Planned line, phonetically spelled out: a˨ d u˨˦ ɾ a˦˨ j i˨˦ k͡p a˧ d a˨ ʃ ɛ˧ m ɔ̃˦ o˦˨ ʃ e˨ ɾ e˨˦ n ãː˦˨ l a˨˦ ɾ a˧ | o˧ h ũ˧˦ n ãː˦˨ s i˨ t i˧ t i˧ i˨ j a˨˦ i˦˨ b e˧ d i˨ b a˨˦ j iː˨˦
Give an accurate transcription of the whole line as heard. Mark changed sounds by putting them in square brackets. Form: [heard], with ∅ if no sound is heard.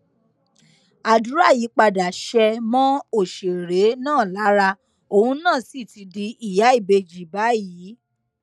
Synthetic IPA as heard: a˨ d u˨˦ ɾ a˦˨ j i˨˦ k͡p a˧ d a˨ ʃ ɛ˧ m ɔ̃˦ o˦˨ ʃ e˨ ɾ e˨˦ n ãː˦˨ l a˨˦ ɾ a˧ | o˧ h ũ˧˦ n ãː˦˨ s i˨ t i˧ [d] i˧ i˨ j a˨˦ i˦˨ b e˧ [d͡ʒ] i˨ b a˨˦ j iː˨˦